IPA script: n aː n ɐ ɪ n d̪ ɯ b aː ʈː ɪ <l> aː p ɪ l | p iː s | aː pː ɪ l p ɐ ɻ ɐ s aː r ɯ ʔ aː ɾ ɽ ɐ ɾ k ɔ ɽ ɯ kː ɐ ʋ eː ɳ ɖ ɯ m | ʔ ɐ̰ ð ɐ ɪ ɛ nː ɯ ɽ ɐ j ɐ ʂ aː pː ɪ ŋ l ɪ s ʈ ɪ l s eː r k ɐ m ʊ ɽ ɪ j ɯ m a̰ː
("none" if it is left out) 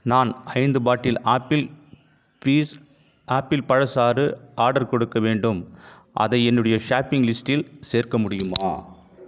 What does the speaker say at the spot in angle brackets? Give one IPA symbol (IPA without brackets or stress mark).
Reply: l